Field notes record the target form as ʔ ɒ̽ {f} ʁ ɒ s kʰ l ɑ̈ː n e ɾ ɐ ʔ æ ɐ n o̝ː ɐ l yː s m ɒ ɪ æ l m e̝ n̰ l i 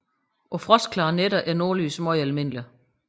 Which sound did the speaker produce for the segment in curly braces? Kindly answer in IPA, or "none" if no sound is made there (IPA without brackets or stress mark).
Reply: f